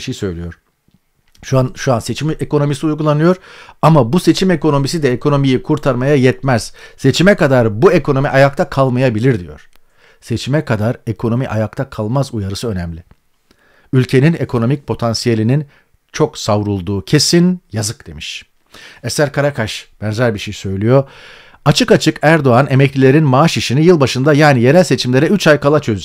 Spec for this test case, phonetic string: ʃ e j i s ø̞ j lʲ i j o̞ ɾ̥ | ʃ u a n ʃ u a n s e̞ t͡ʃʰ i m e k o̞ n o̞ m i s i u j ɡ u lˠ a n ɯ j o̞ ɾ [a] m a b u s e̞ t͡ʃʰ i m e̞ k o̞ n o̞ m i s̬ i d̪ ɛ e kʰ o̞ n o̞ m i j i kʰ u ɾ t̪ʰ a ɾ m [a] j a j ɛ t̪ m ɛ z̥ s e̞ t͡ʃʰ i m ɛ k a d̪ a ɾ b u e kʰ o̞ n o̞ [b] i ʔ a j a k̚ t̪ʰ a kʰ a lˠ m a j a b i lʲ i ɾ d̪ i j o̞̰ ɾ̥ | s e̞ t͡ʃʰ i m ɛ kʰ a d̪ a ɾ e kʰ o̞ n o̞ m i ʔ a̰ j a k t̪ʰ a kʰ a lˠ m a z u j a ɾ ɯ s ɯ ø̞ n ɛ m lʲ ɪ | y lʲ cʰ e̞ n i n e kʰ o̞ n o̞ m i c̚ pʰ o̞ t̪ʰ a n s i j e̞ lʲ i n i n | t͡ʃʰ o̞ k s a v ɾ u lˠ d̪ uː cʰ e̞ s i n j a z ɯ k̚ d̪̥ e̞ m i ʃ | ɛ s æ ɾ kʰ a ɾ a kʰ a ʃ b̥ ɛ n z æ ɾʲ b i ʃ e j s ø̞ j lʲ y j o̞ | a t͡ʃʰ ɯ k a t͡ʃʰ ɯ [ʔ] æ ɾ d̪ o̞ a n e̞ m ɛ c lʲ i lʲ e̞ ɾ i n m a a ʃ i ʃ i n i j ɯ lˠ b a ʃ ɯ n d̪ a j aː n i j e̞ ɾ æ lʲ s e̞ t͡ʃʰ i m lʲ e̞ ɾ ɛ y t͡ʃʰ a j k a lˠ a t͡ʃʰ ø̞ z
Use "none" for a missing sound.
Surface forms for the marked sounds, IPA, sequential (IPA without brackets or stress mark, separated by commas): a, a, m, k